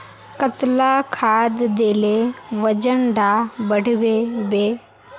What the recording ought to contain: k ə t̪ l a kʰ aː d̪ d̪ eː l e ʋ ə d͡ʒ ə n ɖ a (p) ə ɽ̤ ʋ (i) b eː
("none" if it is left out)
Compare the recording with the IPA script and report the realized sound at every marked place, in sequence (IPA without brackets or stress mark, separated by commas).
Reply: b, e